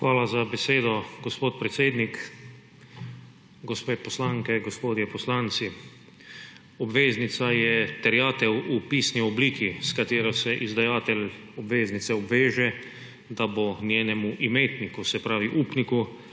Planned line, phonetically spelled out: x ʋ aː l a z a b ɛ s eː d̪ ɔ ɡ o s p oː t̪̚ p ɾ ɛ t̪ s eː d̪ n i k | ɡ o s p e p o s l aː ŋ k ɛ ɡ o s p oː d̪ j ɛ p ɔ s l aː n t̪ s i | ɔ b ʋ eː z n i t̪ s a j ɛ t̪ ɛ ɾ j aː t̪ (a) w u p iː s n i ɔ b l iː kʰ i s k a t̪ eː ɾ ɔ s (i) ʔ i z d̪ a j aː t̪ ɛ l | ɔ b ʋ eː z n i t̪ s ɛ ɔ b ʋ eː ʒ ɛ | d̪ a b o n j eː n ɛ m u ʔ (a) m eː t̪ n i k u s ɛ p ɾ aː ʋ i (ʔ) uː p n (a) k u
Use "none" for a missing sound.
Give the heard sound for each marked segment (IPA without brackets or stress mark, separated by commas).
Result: ɛ, ɛ, i, ʔ, i